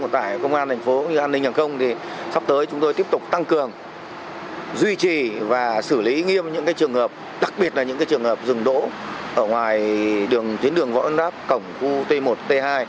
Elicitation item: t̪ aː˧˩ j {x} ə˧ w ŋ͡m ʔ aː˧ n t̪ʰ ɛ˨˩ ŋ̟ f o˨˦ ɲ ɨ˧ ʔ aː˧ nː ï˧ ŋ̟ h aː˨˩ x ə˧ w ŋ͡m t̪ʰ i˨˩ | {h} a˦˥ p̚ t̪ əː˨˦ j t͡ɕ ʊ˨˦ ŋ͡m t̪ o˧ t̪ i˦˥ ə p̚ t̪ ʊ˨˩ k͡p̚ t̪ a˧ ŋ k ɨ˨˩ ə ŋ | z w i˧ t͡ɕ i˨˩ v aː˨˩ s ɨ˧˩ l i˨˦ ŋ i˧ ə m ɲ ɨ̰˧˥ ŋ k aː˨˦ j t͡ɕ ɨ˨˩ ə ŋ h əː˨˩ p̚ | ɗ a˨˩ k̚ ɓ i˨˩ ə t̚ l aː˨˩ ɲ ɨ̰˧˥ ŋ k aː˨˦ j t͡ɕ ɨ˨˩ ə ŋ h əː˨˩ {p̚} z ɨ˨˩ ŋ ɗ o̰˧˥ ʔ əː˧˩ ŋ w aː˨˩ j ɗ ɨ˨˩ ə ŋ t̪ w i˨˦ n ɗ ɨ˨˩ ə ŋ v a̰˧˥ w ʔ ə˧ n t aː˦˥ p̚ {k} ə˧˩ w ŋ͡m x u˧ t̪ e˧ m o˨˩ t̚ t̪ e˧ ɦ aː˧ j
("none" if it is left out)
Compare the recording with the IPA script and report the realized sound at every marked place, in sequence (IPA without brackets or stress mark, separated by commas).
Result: k, s, p̚, k